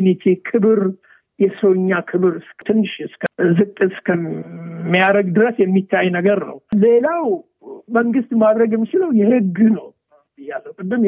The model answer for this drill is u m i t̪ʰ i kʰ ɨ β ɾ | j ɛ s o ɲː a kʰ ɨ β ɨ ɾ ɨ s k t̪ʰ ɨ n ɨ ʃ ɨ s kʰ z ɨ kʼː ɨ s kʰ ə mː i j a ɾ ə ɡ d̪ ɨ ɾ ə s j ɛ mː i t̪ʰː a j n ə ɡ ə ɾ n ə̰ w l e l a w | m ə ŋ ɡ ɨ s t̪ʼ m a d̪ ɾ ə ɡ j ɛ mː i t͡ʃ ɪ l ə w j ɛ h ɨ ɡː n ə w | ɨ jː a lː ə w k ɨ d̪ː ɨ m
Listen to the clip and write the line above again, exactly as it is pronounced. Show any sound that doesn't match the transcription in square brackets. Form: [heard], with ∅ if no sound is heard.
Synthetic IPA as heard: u [n] i t̪ʰ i kʰ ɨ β ɾ | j ɛ s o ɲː a kʰ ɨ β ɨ ɾ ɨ s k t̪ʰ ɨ [nː] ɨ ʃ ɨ s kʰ z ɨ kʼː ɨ s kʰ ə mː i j a ɾ ə ɡ d̪ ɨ ɾ ə s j ɛ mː i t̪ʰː a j n ə ɡ ə ɾ n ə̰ w l e l a w | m ə ŋ ɡ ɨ s [t̪] m a d̪ ɾ ə ɡ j ɛ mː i t͡ʃ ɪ l ə w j ɛ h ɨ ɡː n ə w | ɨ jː a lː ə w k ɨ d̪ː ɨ m